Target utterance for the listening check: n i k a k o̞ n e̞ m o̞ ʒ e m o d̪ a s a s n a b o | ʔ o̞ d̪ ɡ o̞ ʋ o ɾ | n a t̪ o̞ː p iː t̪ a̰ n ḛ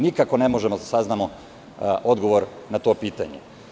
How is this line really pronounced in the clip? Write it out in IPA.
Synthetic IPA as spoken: n i k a k o̞ n e̞ m o̞ ʒ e m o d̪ a s a z n a m o | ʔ o̞ d̪ ɡ o̞ ʋ o ɾ | n a t̪ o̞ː p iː t̪ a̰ ɲ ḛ